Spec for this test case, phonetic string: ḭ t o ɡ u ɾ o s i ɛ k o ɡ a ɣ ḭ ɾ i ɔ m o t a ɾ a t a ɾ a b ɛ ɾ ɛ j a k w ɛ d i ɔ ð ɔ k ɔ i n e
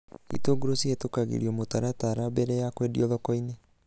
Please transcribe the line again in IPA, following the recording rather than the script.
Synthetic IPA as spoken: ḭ t o ɡ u ɾ o s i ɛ t o k a ɣ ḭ ɾ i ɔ m o t a ɾ a t a ɾ a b ɛ ɾ ɛ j a k w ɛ d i ɔ ð ɔ k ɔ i n e